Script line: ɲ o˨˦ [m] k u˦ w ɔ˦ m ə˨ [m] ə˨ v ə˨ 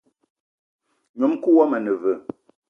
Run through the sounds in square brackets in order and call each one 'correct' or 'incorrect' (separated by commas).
correct, incorrect